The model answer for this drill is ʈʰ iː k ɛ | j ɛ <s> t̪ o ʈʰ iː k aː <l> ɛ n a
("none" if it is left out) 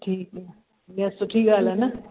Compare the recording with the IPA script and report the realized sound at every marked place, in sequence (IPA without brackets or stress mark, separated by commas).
s, l